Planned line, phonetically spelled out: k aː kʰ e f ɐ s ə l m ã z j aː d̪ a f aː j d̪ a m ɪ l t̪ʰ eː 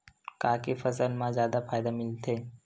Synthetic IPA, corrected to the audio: k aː k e f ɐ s ə l m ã z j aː d̪ a f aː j d̪ a m ɪ l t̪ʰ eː

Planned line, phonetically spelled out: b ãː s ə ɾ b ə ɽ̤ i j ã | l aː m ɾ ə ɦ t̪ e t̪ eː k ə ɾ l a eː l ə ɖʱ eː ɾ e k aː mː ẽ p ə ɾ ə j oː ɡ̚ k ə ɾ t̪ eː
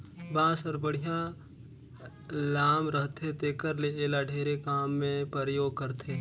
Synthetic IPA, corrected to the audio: b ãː s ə ɾ b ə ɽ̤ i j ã | l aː m ɾ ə ɦ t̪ e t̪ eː k ə ɾ l e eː l a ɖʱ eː ɾ e k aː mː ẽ p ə ɾ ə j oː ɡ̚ k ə ɾ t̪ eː

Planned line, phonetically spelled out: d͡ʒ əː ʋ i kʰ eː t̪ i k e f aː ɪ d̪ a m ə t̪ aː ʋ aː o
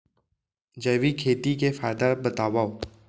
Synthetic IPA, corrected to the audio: d͡ʒ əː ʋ i kʰ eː t̪ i k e f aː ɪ d̪ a b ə t̪ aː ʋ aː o

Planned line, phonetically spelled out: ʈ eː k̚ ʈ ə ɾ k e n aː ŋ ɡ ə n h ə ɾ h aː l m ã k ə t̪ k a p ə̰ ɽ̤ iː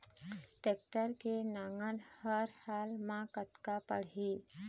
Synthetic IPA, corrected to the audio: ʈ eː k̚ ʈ ə ɾ k e n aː ŋ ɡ ə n h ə ɾ h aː l m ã k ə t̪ k a p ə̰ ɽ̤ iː

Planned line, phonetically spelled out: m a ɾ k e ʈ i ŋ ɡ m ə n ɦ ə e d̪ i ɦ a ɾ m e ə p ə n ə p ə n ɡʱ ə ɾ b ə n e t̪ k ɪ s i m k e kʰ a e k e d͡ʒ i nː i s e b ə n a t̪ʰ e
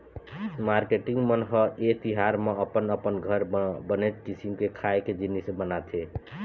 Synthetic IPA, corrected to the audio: m a ɾ k e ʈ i ŋ ɡ m ə n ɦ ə e t̪ i ɦ a ɾ m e ə p ə n ə p ə n ɡʱ ə ɾ b ə n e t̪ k i s i m k e kʰ a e k e d͡ʒ i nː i s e b ə n a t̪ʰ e

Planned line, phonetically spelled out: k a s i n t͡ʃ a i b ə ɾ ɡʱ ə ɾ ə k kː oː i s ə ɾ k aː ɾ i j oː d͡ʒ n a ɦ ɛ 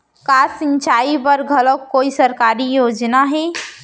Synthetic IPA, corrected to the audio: k a s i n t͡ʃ a i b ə ɾ ɡʱ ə l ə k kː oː i s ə ɾ k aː ɾ i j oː d͡ʒ n a ɦ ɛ

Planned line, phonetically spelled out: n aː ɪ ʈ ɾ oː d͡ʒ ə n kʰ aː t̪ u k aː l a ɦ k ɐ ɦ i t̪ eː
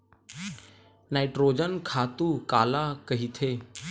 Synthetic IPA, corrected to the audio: n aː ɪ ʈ ɾ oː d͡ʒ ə n kʰ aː t̪ u k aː l a k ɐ ɦ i t̪ʰ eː

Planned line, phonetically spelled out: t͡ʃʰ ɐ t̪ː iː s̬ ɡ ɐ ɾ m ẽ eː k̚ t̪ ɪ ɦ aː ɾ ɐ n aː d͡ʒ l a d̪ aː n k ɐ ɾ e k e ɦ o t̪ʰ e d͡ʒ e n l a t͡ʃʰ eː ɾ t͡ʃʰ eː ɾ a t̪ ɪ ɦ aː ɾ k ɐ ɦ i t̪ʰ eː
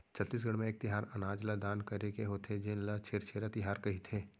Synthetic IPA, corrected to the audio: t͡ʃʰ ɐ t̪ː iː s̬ ɡ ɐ ɽ m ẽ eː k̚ t̪ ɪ ɦ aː ɾ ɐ n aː d͡ʒ l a d̪ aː n k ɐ ɾ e k e ɦ o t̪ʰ e d͡ʒ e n l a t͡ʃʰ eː ɾ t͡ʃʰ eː ɾ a t̪ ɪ ɦ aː ɾ k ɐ ɦ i t̪ʰ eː

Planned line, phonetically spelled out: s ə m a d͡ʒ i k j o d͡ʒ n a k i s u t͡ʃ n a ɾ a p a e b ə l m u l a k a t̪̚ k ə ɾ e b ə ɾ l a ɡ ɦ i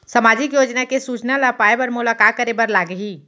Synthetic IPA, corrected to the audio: s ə m a d͡ʒ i k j o d͡ʒ n a k e s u t͡ʃ n a l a p a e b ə ɾ m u l a k a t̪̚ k ə ɾ e b ə ɾ l a ɡ ɦ i

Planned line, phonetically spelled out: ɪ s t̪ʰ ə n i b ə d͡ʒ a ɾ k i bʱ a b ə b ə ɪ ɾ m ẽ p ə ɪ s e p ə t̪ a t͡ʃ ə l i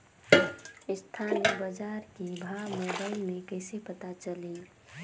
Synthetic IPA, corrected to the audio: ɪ s t̪ʰ a n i b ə d͡ʒ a ɾ k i bʱ a m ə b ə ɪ l m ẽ k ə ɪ s e p ə t̪ a t͡ʃ ə l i

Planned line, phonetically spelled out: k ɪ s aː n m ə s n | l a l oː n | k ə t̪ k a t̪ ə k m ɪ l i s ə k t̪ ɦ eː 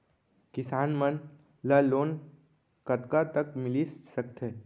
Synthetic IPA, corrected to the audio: k ɪ s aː n m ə n | l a l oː n | k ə t̪ k a t̪ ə k m ɪ l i s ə k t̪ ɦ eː

